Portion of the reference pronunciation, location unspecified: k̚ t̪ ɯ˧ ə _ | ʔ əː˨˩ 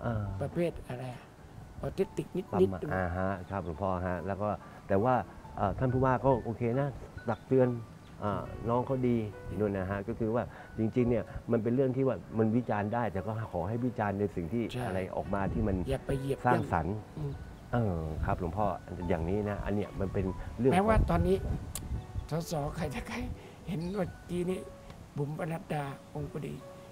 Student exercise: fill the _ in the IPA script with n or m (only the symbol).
n